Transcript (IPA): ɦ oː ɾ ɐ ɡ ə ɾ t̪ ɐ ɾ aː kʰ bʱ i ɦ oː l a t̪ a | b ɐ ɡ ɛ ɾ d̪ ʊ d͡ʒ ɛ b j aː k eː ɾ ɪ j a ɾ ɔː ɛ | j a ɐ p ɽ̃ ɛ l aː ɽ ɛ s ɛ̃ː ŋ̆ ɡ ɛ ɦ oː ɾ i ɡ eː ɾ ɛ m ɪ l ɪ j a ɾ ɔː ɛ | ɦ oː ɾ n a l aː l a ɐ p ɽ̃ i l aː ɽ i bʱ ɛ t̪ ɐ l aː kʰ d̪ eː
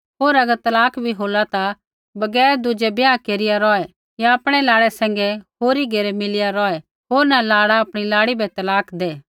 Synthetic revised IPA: ɦ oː ɾ ɐ ɡ ə ɾ t̪ ɐ l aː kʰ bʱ i ɦ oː l a t̪ a | b ɐ ɡ ɛː ɾ d̪ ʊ d͡ʒ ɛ b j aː k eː ɾ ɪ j a ɾ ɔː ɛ | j a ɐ p ɽ̃ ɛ l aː ɽ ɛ s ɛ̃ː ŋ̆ ɡ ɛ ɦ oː ɾ i ɡ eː ɾ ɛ m ɪ l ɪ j a ɾ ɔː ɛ | ɦ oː ɾ n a l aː ɽ a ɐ p ɽ̃ i l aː ɽ i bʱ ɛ t̪ ɐ l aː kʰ d̪ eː